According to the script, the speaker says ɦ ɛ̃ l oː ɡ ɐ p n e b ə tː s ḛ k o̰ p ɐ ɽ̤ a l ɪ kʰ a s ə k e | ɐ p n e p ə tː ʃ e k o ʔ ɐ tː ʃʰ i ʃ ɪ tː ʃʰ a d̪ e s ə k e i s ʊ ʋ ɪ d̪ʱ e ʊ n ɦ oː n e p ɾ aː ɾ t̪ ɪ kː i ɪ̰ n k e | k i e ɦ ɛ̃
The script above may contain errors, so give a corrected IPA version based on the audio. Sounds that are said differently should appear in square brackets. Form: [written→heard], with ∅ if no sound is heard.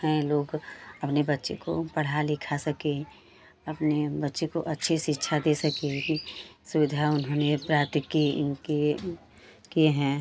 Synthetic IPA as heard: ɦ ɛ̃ l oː ɡ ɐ p n e b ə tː [s→ʃ] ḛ k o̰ p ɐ ɽ̤ a l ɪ kʰ a s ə k e | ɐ p n e [p→b] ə tː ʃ e k o ʔ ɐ tː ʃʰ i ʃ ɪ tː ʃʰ a d̪ e s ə k e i s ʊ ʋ ɪ d̪ʱ [e→a] ʊ n ɦ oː n e p ɾ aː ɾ t̪ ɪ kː i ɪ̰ n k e | k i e ɦ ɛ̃